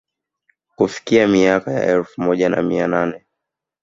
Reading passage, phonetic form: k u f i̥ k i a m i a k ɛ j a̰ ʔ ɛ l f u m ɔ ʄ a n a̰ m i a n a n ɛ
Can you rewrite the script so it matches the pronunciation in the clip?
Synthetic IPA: k u f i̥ k i a m i a k a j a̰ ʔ ɛ l f u m ɔ ʄ a n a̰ m i a n a n ɛ